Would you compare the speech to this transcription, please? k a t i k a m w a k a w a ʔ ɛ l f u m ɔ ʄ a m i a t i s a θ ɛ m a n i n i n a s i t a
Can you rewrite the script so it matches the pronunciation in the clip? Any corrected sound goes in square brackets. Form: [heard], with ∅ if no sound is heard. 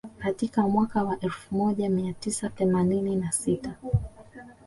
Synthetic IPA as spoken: k a t i k a m w a k a w a ʔ ɛ l f u m ɔ ʄ a m i a t i s a θ ɛ m a n i n i n a s i t a